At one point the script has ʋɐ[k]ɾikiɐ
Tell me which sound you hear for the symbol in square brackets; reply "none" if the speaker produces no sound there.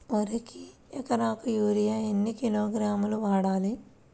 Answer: none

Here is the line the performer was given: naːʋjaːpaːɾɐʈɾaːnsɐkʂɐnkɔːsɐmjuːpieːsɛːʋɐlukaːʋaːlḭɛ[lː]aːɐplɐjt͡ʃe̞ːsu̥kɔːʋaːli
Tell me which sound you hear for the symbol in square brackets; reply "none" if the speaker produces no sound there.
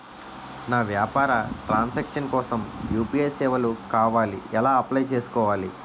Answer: l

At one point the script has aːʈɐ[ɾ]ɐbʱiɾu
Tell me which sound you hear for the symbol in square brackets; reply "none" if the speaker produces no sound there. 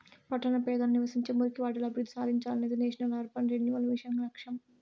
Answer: l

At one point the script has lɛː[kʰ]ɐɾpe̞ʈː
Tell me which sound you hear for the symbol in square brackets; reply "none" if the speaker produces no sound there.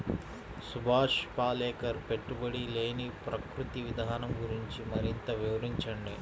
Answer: k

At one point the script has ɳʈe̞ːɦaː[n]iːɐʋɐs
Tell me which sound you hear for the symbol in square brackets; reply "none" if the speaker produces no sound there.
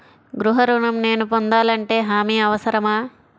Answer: m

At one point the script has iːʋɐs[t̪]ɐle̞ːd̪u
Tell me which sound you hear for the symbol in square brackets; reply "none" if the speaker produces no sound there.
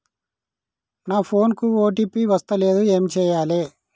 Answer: t̪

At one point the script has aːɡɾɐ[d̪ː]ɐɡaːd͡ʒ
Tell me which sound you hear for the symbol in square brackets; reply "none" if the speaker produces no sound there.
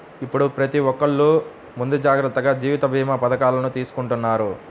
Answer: t̪ː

